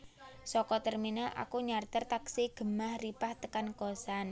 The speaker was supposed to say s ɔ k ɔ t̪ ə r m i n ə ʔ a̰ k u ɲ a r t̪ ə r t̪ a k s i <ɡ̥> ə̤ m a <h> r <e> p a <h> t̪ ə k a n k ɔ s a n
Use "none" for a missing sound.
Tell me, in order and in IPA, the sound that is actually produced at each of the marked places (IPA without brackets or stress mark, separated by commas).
ɡ̥, h, i, h